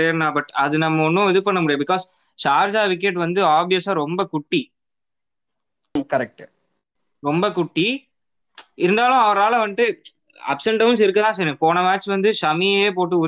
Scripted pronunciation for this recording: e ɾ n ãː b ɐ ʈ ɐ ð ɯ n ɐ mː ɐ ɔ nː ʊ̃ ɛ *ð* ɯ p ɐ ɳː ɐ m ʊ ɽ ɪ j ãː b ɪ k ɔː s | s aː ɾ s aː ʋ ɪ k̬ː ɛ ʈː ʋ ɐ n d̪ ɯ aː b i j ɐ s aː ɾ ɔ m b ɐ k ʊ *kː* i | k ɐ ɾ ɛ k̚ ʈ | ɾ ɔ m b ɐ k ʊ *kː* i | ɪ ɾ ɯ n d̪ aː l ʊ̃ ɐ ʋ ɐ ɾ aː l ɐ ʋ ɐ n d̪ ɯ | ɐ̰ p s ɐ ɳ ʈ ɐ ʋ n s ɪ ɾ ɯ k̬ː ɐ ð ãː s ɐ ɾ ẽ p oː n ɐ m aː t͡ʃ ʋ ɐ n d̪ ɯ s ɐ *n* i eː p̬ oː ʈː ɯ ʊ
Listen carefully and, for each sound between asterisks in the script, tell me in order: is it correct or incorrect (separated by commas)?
correct, incorrect, incorrect, incorrect